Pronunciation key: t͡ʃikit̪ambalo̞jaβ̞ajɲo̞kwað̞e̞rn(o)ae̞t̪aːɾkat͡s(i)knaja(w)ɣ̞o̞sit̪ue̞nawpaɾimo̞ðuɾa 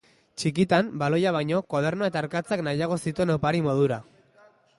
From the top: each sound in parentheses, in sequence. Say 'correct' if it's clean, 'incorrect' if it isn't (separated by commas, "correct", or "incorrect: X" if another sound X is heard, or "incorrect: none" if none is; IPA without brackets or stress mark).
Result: correct, incorrect: a, incorrect: none